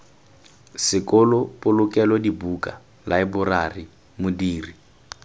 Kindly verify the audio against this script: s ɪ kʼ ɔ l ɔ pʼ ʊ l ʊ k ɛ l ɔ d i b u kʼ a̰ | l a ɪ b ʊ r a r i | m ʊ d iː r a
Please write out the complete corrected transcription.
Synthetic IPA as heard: s ɪ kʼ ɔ l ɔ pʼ ʊ l ʊ k ɛ l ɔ d i b u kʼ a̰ | l a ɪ b ʊ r a r i | m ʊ d iː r i